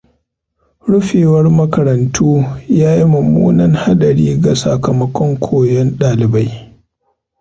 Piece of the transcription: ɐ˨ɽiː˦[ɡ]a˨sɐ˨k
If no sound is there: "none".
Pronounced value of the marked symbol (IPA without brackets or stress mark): ɡ